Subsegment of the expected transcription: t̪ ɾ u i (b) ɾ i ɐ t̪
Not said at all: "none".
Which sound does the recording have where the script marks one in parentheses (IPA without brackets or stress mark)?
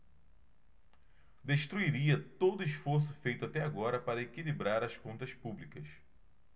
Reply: none